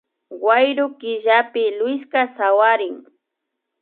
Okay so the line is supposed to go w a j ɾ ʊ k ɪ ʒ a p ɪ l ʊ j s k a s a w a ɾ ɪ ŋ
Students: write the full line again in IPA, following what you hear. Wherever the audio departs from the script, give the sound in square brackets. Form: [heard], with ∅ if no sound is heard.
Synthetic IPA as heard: w a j ɾ ʊ k ɪ ʒ a p ɪ l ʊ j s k a s a w a ɾ ɪ ŋ